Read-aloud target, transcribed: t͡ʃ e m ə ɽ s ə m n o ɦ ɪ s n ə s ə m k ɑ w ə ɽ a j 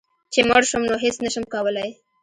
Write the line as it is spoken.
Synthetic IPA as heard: t͡ʃ e m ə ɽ ʃ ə m n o ɦ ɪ s n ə ʃ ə m k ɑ w ə l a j